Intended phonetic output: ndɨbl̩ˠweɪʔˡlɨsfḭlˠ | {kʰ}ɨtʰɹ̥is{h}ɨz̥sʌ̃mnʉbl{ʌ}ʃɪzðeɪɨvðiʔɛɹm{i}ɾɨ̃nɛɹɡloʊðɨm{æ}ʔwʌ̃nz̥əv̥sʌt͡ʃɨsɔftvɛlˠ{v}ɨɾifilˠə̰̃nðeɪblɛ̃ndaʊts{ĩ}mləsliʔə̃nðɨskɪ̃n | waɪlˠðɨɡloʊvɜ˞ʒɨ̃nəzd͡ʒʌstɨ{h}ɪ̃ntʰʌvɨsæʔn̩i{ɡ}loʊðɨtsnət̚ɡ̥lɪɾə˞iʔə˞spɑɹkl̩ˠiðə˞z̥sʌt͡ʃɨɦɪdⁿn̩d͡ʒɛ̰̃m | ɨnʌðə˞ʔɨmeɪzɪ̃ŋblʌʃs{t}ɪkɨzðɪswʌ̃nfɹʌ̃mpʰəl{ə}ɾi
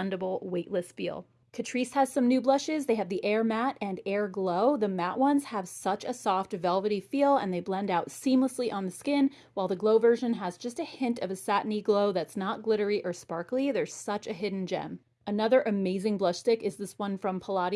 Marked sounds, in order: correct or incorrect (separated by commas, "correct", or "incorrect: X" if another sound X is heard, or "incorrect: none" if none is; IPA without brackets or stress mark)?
correct, correct, correct, incorrect: æ, correct, correct, correct, correct, correct, correct, incorrect: ɑ